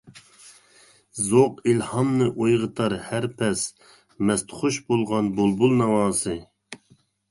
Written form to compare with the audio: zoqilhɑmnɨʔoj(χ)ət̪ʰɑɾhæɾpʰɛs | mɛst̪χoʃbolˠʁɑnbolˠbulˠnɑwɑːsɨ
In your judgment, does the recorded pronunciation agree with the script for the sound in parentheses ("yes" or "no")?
no